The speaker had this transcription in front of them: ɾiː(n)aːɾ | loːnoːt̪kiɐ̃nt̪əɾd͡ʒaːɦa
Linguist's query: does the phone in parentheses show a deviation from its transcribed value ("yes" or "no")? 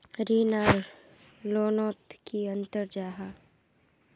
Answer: no